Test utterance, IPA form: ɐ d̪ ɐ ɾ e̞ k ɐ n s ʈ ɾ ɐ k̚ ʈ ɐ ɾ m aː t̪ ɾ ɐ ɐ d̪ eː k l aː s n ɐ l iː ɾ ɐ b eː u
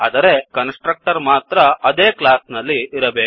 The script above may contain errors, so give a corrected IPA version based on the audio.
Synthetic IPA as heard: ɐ d̪ ɐ ɾ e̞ k ɐ n s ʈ ɾ ɐ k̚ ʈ ɐ ɾ m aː t̪ ɾ ɐ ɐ d̪ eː k l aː s n ɐ lː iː ɾ ɐ b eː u